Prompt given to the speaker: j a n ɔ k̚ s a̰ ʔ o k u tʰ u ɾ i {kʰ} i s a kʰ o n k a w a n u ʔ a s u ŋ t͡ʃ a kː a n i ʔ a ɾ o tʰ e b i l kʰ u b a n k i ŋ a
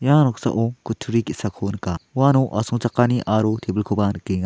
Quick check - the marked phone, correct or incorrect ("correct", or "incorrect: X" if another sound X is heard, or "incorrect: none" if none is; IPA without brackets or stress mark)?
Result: incorrect: k